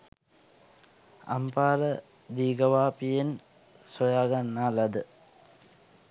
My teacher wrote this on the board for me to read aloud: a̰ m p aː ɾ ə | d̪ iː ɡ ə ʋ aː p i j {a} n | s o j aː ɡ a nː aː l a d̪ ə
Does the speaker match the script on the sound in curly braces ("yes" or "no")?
no